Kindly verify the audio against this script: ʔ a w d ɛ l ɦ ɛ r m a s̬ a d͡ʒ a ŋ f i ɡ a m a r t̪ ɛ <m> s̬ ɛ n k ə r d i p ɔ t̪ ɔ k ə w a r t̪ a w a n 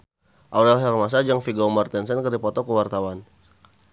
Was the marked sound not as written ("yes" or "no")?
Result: yes